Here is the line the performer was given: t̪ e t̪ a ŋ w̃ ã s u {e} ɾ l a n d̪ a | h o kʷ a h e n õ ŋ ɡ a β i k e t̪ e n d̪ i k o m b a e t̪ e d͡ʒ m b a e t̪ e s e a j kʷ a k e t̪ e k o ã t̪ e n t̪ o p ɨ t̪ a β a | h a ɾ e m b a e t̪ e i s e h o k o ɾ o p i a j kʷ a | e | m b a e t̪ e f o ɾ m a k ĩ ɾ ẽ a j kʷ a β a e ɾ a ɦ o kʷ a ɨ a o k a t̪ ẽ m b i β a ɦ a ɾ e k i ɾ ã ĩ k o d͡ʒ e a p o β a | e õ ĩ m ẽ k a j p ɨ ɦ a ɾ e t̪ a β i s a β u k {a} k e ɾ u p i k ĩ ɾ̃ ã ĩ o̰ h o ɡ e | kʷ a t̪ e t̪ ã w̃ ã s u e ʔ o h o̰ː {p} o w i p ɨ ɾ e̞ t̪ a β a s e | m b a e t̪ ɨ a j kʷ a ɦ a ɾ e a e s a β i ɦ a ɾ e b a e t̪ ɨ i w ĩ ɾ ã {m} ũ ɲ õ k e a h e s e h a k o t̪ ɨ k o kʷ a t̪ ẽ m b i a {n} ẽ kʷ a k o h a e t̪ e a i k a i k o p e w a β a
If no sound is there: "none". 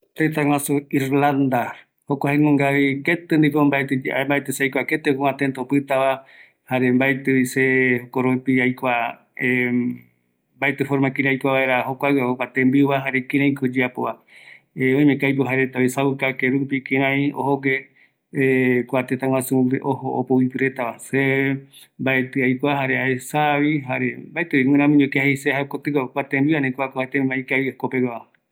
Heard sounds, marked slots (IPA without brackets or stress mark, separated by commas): i, a, p, m, n